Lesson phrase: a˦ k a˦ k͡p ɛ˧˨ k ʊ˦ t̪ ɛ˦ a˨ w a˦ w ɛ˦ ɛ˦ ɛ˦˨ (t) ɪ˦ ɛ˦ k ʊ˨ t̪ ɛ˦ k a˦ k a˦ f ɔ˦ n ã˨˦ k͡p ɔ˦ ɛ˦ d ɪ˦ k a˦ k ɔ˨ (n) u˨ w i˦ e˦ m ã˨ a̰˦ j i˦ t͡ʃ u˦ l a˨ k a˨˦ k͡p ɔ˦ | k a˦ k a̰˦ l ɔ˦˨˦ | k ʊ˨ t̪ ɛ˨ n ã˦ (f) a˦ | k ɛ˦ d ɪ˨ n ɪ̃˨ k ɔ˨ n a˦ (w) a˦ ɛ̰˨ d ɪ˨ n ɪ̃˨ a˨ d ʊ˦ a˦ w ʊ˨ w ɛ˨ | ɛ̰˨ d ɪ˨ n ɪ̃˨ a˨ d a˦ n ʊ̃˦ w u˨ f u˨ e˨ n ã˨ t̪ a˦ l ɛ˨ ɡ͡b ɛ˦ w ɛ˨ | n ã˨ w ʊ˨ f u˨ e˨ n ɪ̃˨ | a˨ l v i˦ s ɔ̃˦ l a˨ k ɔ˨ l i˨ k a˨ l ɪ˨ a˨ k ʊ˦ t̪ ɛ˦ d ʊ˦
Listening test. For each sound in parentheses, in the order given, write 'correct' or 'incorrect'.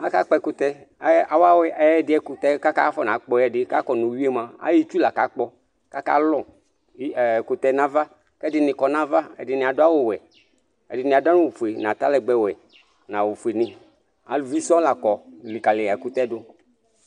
incorrect, correct, incorrect, incorrect

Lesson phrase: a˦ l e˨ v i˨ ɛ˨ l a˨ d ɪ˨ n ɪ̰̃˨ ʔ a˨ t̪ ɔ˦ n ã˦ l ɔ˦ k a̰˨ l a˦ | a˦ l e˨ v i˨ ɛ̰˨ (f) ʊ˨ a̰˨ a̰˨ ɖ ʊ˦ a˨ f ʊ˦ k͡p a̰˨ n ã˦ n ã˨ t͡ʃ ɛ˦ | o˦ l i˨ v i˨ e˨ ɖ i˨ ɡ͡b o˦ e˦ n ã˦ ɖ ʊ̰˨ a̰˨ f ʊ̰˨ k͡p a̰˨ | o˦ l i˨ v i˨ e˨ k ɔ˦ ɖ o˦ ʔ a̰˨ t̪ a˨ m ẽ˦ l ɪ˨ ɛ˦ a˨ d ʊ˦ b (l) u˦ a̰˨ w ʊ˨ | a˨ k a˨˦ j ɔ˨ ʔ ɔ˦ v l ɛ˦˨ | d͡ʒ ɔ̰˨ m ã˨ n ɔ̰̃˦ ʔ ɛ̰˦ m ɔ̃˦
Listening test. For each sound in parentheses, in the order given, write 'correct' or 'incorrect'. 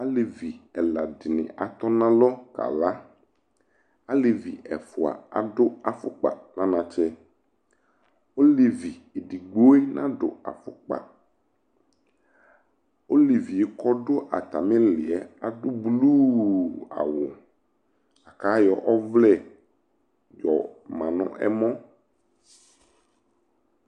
correct, correct

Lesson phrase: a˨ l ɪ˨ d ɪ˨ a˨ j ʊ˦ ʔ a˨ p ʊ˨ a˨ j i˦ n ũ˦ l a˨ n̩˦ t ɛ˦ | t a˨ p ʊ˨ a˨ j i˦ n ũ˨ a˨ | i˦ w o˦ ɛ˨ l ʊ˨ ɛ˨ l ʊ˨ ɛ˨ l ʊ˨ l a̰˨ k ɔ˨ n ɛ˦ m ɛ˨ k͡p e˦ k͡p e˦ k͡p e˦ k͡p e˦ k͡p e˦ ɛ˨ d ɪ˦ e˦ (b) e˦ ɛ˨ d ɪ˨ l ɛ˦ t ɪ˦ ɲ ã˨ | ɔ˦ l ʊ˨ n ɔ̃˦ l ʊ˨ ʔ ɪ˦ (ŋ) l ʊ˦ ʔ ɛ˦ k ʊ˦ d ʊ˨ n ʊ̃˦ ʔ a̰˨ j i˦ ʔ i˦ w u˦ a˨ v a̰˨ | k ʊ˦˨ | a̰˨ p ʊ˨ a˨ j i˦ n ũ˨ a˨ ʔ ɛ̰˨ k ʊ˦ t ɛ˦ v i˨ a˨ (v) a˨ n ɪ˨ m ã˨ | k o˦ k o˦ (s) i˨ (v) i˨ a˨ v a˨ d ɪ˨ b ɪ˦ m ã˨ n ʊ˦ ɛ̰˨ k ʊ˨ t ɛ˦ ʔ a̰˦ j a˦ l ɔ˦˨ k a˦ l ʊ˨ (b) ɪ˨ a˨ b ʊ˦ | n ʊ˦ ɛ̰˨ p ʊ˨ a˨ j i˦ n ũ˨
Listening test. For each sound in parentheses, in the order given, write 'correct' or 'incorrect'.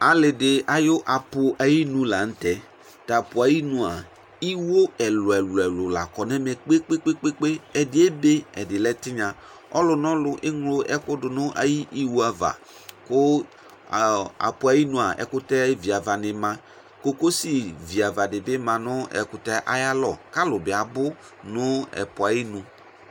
correct, correct, correct, correct, correct, correct

